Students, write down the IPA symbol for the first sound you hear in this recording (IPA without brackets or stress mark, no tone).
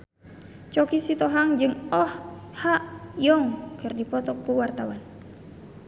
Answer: t͡ʃ